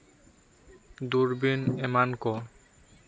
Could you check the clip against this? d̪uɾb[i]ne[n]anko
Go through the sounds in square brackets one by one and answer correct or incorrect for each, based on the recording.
correct, incorrect: m

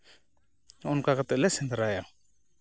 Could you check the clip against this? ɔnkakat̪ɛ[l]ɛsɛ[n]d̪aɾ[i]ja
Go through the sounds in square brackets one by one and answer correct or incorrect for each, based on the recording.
correct, correct, incorrect: a

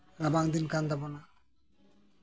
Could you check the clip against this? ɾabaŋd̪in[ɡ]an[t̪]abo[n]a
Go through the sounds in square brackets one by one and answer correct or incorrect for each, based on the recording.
incorrect: k, incorrect: d̪, correct

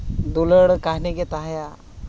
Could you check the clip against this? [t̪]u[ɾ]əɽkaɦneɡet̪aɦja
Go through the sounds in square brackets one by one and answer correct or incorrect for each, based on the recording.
incorrect: d̪, incorrect: l

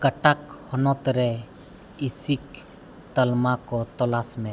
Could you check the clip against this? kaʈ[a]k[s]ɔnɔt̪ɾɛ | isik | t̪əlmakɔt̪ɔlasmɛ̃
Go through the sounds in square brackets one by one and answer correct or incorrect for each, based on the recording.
correct, incorrect: h

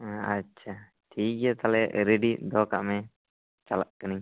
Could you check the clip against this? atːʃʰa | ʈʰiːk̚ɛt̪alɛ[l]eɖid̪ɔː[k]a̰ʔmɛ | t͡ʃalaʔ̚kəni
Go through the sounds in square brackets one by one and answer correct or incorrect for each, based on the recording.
incorrect: ɾ, correct

